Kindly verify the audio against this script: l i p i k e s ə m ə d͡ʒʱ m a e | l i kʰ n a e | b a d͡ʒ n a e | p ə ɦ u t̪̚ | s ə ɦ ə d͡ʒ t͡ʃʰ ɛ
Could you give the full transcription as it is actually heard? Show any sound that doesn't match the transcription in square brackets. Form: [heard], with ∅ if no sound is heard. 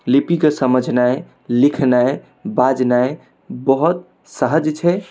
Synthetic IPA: l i p i k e s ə m ə d͡ʒʱ [n] a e | l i kʰ n a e | b a d͡ʒ n a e | [b] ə ɦ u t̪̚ | s ə ɦ ə d͡ʒ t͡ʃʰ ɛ